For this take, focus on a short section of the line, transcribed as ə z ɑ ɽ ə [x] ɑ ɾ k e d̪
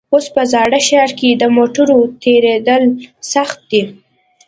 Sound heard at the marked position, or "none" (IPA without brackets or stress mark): ʃ